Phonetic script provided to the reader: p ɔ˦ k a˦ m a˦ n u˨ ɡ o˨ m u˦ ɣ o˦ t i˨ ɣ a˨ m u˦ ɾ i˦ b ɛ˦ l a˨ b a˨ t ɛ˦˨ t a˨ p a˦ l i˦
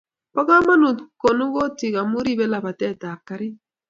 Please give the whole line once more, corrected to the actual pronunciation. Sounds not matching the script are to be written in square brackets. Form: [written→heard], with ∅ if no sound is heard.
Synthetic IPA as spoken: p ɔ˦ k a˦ m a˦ n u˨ [ɡ→k] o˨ [m→n] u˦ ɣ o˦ t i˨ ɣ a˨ m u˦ ɾ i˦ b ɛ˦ l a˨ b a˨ t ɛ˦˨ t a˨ [p→k] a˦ [l→ɾ] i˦